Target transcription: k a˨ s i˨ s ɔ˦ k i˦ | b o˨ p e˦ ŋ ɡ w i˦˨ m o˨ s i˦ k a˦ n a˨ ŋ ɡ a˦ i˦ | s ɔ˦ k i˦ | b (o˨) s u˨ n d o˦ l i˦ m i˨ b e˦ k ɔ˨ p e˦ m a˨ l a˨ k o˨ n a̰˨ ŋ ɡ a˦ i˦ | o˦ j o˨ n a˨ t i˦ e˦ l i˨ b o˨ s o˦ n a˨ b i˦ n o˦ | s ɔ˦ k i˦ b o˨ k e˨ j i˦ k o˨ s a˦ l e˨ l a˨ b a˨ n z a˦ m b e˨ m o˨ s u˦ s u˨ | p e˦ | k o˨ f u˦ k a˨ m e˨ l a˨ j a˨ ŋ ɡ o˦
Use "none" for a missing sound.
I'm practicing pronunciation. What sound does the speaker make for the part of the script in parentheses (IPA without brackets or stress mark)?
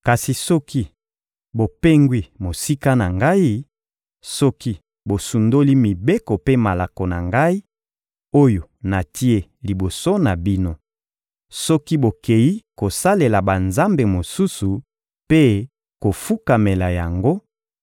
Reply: o˨